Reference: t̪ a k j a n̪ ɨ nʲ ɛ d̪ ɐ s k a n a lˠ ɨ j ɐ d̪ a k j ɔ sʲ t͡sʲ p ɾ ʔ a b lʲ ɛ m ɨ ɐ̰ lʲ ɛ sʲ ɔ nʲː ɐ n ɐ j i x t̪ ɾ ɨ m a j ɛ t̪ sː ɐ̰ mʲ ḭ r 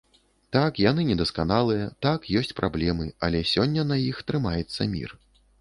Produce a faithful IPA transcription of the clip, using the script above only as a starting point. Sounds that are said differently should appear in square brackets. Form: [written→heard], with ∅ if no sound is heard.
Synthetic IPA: t̪ a k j a n̪ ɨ nʲ ɛ d̪ ɐ s k a n a lˠ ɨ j ɐ [d̪→t̪] a k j ɔ sʲ t͡sʲ p ɾ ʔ a b lʲ ɛ m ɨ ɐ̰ lʲ ɛ sʲ ɔ nʲː ɐ n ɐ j i x t̪ ɾ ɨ m a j ɛ t̪ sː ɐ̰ mʲ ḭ r

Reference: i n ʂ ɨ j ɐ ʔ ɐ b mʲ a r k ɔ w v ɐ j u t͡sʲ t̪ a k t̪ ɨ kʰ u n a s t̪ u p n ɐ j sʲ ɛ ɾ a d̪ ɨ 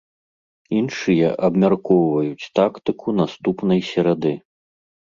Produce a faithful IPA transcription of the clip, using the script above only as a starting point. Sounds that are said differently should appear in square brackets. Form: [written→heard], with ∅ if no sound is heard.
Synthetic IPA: i n ʂ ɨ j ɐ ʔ ɐ b mʲ a r k ɔ w v ɐ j u t͡sʲ t̪ a k t̪ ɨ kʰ u n a s t̪ u p n ɐ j sʲ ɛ ɾ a d̪ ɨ

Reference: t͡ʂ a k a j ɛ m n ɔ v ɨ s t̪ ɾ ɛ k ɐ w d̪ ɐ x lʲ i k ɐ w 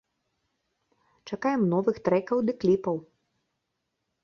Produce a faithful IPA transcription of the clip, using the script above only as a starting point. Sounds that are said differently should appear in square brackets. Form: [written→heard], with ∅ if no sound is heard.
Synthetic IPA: t͡ʂ a k a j ɛ m n ɔ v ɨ [s→x] t̪ ɾ ɛ k ɐ w d̪ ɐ [x→k] lʲ i [k→p] ɐ w

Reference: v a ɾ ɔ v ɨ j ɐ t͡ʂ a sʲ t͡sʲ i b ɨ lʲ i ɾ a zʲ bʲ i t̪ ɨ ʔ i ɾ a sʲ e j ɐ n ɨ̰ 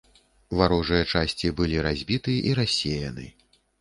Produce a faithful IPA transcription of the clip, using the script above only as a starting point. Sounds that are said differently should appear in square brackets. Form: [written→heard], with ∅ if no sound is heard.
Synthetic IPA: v a ɾ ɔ [v→ʐ] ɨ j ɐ t͡ʂ a sʲ t͡sʲ i b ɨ lʲ i ɾ a zʲ bʲ i t̪ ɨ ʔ i ɾ a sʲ e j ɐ n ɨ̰

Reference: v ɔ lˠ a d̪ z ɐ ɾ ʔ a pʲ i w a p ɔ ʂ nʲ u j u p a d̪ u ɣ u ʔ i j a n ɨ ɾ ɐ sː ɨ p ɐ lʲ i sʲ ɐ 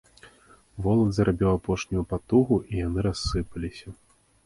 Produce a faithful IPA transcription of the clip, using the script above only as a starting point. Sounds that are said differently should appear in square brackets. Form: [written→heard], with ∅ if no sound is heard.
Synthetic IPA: v ɔ lˠ [a→ɐ] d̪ z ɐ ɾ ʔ a [pʲ→bʲ] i w a p ɔ ʂ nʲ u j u p a [d̪→t̪] u ɣ u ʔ i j a n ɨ ɾ [ɐ→a] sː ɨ p ɐ lʲ i sʲ ɐ

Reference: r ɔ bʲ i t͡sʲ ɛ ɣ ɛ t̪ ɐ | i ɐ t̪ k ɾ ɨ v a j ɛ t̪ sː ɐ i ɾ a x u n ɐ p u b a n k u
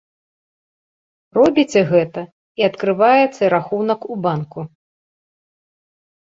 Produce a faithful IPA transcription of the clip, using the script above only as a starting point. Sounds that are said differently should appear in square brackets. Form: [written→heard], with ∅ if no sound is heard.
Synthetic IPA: r ɔ bʲ i t͡sʲ ɛ ɣ ɛ t̪ ɐ | i ɐ t̪ k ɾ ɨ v a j ɛ t̪ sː ɐ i ɾ a x u n ɐ [p→k] u b a n k u

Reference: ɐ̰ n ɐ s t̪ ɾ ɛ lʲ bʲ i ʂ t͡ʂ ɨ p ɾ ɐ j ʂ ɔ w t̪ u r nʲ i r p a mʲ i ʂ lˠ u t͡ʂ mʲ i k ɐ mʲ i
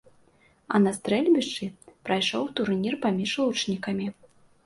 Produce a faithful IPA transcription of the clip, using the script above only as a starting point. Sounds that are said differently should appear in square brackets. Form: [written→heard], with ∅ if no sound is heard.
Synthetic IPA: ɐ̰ n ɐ s t̪ ɾ ɛ lʲ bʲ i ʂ t͡ʂ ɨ p ɾ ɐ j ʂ ɔ w t̪ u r nʲ i r p a mʲ i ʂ lˠ u t͡ʂ [mʲ→nʲ] i k ɐ mʲ i

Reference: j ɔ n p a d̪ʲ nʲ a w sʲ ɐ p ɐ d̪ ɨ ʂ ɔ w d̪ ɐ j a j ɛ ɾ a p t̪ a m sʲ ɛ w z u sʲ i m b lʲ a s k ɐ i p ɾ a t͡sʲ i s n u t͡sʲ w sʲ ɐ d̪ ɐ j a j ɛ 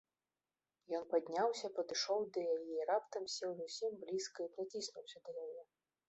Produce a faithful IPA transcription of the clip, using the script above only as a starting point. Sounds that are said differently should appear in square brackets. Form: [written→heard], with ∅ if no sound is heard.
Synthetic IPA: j ɔ n p a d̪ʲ nʲ a w sʲ ɐ p ɐ d̪ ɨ ʂ ɔ w d̪ ɐ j a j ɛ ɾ a p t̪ [a→ɐ] m sʲ ɛ w z u sʲ i m b lʲ [a→i] s k ɐ i p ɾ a t͡sʲ i s n u [t͡sʲ→∅] w sʲ ɐ d̪ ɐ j a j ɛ

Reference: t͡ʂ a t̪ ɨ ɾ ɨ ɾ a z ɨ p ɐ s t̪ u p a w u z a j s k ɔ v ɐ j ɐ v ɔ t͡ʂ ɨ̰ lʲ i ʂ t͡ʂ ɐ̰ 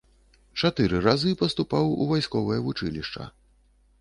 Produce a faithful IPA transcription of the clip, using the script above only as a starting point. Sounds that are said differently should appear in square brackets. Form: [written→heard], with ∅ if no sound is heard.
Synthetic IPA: t͡ʂ a t̪ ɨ ɾ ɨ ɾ a z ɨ p ɐ s t̪ u p a w u [z→v] a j s k ɔ v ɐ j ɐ v [ɔ→u] t͡ʂ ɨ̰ lʲ i ʂ t͡ʂ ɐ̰

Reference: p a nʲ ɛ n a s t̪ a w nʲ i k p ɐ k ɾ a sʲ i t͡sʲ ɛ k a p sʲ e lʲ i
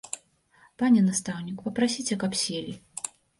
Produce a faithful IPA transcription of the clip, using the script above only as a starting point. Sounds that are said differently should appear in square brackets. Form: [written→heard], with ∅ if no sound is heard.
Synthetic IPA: p a nʲ ɛ n a s t̪ a w nʲ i k p ɐ [k→p] ɾ a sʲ i t͡sʲ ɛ k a p sʲ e lʲ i

